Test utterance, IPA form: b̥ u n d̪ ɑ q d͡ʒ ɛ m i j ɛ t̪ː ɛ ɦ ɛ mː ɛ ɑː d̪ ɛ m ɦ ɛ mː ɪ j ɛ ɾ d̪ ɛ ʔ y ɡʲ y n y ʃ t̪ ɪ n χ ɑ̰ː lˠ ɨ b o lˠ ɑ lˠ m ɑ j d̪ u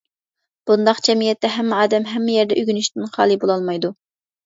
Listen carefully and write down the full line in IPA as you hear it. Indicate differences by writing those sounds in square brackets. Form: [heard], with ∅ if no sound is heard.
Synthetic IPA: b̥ u n d̪ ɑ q d͡ʒ ɛ m i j ɛ t̪ː ɛ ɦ ɛ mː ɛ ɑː d̪ ɛ m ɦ ɛ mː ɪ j ɛ ɾ d̪ ɛ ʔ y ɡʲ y n y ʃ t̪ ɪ n χ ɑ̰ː lˠ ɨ b o lˠ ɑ lˠ m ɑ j d̪ u